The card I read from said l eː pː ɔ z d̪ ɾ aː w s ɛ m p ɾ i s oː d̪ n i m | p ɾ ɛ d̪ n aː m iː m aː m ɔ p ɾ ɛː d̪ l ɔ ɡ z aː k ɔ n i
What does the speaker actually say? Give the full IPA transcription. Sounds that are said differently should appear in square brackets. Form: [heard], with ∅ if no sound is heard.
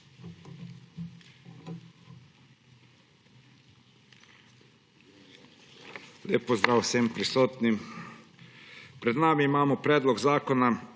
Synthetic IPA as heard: l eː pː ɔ z d̪ ɾ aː w s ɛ m p ɾ i s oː [t̪] n i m | p ɾ ɛ d̪ n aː m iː m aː m ɔ p ɾ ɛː d̪ l ɔ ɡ z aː k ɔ n [a]

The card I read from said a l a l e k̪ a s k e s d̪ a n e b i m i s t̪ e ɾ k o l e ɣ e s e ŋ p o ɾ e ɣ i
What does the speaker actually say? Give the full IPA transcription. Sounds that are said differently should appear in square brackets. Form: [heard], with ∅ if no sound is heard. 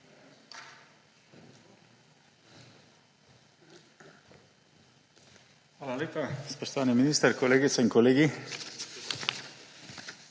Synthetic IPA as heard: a l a l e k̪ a s [p] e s [t̪] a n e [m] i [n] i s t̪ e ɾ k o l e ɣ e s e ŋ [k] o [l] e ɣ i

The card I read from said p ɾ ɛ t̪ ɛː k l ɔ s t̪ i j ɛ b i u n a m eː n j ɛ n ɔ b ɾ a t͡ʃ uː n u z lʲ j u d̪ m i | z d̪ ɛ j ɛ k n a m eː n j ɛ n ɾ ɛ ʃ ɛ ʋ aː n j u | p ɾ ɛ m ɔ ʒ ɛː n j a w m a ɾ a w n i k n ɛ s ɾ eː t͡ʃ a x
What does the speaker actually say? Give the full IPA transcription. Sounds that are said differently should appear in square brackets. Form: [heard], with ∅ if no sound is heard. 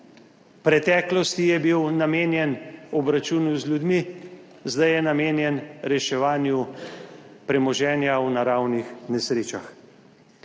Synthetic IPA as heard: p ɾ ɛ t̪ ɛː k l ɔ s t̪ i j ɛ b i [w] n a m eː n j ɛ n ɔ b ɾ a t͡ʃ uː n u z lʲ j u d̪ m i | z d̪ [a] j ɛ [∅] n a m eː n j ɛ n ɾ ɛ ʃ ɛ ʋ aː n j u | p ɾ ɛ m ɔ ʒ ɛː n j a w [n] a ɾ a w n i [x] n ɛ s ɾ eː t͡ʃ a x

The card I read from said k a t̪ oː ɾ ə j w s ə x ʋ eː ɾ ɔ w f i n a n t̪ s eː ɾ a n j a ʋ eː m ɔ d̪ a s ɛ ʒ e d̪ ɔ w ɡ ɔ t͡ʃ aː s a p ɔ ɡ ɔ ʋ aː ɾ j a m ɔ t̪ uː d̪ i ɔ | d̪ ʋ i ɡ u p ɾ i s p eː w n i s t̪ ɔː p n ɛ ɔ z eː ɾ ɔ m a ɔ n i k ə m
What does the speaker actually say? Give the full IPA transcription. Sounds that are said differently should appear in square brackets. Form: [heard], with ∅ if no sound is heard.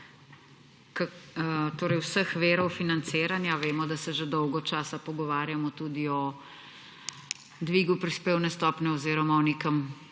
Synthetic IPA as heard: k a t̪ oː ɾ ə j w s ə x ʋ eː ɾ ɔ w f i n a n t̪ s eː ɾ a n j a ʋ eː m ɔ d̪ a s ɛ ʒ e d̪ ɔ w ɡ ɔ t͡ʃ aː s a p ɔ ɡ ɔ ʋ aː ɾ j a m ɔ t̪ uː d̪ i ɔ | d̪ ʋ i ɡ u p ɾ i s p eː w n [ɛ] s t̪ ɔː p n ɛ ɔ z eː ɾ ɔ m a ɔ n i k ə m

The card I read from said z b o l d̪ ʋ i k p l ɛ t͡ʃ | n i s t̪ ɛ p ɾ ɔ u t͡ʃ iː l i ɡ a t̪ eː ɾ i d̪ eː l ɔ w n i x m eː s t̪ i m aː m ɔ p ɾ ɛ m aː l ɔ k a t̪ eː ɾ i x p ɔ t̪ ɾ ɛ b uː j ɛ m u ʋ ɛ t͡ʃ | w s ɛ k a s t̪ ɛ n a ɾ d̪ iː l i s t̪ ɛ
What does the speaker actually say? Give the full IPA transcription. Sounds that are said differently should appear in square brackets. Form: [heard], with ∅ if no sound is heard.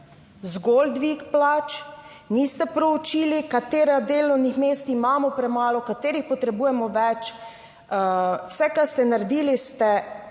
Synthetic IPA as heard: z [ɡ] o l d̪ ʋ i k p l [a] t͡ʃ | n i s t̪ ɛ p ɾ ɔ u t͡ʃ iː l i [k] a t̪ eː ɾ [a] d̪ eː l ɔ w n i x m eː s t̪ i m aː m ɔ p ɾ ɛ m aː l ɔ k a t̪ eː ɾ i x p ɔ t̪ ɾ ɛ b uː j ɛ m [ɔ] ʋ ɛ t͡ʃ | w s ɛ k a s t̪ ɛ n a ɾ d̪ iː l i s t̪ ɛ

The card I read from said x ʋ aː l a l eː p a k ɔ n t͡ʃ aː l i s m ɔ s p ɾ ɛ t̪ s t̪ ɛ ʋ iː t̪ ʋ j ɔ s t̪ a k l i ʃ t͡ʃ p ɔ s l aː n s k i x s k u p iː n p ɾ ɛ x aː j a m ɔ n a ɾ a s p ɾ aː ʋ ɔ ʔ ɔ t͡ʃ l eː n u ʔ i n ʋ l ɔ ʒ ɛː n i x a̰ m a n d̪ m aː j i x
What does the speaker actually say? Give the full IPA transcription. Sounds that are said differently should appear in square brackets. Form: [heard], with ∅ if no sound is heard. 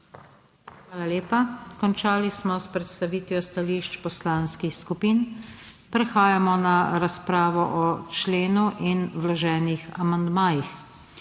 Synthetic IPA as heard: x ʋ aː l a l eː p a k ɔ n t͡ʃ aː l i s m ɔ s p ɾ ɛ t̪ s t̪ [a] ʋ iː t̪ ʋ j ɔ s t̪ a [∅] l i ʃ t͡ʃ p ɔ s l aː n s k i x s k u p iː n p ɾ ɛ x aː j a m ɔ n a ɾ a s p ɾ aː ʋ ɔ ʔ ɔ t͡ʃ l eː n u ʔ i n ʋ l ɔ ʒ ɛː n i x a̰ m a n d̪ m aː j i x

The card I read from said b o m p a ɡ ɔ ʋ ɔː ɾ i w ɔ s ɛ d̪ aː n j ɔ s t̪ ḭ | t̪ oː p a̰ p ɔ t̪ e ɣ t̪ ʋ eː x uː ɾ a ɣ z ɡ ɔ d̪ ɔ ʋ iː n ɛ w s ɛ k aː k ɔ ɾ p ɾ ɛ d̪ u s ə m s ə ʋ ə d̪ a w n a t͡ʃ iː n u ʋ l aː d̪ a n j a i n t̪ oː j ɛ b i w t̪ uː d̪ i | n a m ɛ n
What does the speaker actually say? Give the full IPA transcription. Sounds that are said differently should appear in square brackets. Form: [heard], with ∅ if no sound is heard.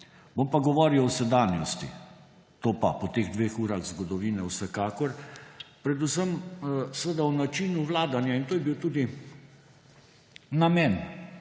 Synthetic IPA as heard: b o m p a ɡ ɔ ʋ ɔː ɾ i w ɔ s ɛ d̪ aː n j ɔ s t̪ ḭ | t̪ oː p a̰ p ɔ t̪ e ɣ [d̪] ʋ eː x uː ɾ a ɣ z ɡ ɔ d̪ ɔ ʋ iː n ɛ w s ɛ k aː k ɔ ɾ p ɾ ɛ d̪ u s ə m s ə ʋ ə d̪ a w n a t͡ʃ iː n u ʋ l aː d̪ a n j a i n t̪ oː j ɛ b i w t̪ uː d̪ i | n a m ɛ n

